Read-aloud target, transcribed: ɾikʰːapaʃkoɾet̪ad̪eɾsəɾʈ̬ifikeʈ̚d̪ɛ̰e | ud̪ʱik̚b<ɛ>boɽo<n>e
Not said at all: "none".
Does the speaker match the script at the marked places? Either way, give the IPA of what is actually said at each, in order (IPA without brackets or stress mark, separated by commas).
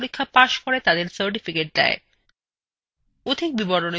i, n